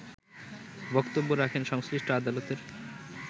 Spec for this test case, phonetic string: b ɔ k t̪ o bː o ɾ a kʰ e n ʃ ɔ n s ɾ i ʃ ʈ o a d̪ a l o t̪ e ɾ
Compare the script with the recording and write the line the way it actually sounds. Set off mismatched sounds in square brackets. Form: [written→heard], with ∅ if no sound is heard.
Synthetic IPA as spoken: b ɔ k t̪ o bː o ɾ a kʰ e n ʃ ɔ [n→ŋ] s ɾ i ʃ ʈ o a d̪ a l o t̪ e ɾ